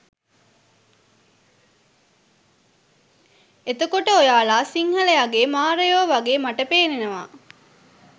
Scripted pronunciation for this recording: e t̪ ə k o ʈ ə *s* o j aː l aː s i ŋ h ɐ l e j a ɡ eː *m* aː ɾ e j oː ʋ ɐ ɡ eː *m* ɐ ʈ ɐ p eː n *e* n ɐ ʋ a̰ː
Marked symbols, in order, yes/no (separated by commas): no, yes, yes, yes